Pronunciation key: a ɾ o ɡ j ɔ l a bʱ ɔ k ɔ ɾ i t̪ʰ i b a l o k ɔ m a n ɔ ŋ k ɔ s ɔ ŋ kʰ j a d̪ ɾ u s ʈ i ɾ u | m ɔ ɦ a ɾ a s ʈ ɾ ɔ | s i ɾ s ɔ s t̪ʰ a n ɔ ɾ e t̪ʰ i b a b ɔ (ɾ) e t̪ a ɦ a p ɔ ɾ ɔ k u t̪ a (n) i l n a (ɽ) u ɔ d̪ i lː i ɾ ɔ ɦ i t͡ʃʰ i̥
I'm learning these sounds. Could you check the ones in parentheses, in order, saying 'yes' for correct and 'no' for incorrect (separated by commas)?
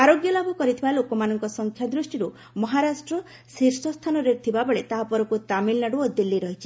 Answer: no, no, yes